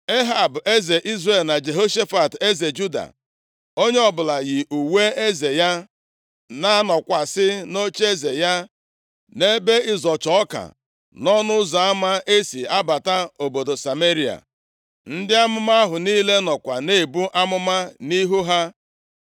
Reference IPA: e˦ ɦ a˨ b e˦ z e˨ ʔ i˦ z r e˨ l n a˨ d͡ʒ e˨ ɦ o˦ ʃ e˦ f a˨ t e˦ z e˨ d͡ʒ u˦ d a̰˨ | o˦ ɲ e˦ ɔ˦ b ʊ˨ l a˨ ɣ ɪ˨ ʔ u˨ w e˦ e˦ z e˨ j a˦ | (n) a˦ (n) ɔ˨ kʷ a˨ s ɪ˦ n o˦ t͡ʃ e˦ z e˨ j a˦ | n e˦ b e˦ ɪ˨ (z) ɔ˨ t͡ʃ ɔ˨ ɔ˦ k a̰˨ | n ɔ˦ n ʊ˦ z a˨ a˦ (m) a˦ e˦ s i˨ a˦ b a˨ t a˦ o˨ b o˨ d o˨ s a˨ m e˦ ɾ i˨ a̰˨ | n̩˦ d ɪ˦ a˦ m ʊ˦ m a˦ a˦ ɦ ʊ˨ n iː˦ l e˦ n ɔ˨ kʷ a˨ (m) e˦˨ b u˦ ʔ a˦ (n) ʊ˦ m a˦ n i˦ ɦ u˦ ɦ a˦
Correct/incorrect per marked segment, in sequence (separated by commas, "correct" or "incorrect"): correct, correct, correct, correct, incorrect, incorrect